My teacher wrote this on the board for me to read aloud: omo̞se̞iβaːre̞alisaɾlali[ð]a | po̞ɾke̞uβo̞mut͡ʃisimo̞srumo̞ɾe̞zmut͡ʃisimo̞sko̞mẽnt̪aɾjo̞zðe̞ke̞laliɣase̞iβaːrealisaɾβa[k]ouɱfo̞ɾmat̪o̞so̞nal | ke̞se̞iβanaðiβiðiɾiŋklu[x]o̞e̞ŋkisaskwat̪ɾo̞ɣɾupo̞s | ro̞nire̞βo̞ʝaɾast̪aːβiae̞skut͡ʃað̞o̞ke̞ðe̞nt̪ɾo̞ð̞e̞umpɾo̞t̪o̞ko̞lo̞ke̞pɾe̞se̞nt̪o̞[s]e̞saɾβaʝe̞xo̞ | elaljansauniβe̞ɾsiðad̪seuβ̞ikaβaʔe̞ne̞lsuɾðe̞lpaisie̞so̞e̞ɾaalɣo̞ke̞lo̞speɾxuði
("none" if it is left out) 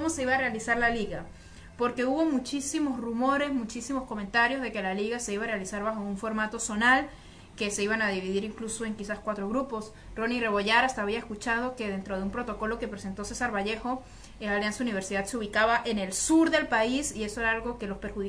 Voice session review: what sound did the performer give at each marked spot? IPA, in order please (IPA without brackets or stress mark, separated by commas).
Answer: ɣ, x, s, s